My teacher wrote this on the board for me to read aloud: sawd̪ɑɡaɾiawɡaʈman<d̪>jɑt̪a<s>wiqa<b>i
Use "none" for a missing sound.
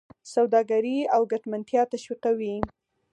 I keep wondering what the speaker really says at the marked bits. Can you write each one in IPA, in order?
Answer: t̪, ʃ, w

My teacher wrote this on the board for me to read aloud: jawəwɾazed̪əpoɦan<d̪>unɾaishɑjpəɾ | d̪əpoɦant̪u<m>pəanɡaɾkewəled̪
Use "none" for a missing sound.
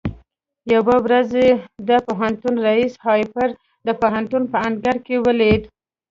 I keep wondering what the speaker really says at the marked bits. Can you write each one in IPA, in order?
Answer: t̪, n

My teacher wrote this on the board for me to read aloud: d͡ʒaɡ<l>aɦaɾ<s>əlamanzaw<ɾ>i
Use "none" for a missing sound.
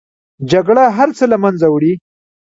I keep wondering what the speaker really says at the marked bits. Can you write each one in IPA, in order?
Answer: ɽ, t͡s, ɽ

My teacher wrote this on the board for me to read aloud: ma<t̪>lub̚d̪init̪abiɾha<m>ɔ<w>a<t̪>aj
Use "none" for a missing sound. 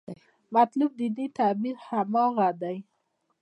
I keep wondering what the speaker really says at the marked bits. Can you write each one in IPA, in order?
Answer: t̪, m, ɣ, d̪

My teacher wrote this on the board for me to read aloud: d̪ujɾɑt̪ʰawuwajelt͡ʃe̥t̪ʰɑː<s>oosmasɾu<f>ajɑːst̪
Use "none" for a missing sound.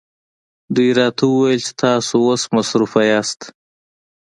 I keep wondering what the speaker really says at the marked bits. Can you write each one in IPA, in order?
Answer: s, f

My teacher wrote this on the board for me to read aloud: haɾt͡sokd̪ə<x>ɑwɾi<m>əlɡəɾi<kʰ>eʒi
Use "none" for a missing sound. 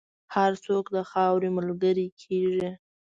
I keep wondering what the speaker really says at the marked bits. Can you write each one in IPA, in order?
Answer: x, m, kʰ

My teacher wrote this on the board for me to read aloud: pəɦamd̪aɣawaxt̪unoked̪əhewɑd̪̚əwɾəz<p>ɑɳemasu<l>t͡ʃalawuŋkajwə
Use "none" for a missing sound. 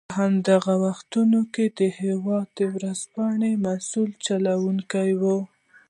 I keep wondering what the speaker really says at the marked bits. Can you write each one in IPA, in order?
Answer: p, l

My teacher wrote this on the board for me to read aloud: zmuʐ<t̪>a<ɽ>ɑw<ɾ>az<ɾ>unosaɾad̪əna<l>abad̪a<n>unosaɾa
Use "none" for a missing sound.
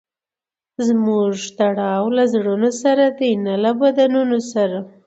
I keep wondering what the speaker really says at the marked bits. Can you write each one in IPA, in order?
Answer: t̪, ɽ, l, ɽ, l, n

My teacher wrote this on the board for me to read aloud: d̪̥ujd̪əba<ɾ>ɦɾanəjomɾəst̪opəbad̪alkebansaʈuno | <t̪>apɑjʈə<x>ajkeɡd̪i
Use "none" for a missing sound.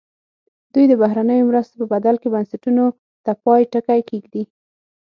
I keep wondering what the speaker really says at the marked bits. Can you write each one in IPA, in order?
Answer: none, t̪, k

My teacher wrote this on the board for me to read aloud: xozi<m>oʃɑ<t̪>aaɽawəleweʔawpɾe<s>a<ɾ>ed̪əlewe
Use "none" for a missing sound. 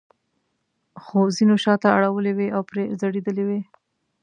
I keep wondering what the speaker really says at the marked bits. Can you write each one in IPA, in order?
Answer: n, t̪, z, ɽ

